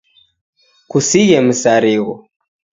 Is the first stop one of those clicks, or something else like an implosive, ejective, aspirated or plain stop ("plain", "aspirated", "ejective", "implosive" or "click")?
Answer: plain